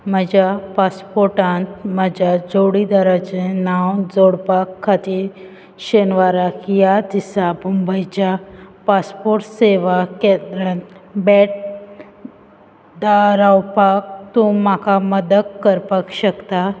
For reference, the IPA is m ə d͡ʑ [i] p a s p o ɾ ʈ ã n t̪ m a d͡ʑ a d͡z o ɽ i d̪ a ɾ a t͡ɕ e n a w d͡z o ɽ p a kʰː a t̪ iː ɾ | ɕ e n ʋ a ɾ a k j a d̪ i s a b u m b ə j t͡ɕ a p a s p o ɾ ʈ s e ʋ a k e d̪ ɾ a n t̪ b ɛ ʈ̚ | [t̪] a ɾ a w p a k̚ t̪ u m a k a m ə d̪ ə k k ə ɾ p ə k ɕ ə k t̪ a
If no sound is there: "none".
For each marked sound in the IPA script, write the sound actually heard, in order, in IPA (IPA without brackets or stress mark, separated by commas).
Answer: a, d̪